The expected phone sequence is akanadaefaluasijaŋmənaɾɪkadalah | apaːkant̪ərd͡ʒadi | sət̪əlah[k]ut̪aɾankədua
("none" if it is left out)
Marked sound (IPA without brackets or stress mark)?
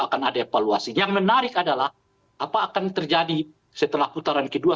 p